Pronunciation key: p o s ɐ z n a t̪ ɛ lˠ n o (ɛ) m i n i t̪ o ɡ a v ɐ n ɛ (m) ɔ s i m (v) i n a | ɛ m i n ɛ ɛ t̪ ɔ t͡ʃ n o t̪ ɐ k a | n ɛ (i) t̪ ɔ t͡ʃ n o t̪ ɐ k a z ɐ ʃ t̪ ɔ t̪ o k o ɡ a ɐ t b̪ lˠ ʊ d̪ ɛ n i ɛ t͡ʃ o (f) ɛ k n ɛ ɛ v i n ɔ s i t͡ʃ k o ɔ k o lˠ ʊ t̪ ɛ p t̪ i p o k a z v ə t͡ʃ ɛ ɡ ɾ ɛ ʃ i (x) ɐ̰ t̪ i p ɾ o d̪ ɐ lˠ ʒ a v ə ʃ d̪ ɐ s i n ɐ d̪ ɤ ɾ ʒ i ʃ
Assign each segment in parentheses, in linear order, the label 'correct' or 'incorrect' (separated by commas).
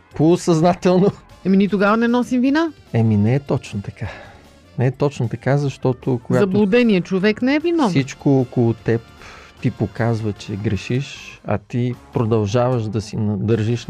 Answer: correct, incorrect, correct, incorrect, incorrect, incorrect